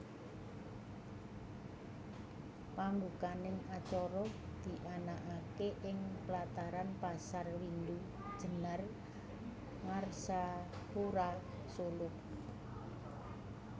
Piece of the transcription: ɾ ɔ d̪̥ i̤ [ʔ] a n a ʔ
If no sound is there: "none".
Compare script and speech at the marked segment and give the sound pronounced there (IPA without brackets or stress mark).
ʔ